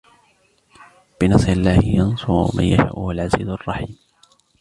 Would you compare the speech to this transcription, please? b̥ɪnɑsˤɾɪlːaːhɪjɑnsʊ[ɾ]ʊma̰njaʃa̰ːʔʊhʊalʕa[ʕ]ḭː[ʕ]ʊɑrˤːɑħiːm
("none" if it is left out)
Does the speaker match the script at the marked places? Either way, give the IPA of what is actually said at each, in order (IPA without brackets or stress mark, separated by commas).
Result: ɾ, z, z